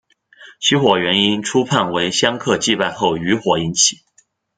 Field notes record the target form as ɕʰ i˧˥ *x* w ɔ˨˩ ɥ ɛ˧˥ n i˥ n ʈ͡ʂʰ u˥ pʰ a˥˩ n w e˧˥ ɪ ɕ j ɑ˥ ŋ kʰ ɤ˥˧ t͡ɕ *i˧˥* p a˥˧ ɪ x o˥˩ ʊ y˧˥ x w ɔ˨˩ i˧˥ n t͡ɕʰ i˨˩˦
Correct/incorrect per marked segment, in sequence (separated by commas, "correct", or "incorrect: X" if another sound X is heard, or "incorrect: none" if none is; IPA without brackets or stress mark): correct, incorrect: i˥˧